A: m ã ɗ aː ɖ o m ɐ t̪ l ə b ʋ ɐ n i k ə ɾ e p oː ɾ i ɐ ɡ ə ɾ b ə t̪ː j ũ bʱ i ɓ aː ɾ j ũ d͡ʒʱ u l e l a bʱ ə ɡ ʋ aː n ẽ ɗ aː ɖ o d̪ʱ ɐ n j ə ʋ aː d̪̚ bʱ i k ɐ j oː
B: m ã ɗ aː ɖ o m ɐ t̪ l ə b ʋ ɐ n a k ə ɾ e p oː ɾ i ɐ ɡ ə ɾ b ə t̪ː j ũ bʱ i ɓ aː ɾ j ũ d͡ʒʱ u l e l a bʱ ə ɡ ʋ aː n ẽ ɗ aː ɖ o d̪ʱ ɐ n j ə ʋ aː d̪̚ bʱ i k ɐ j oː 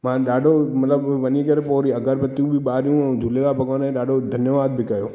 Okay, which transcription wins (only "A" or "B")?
A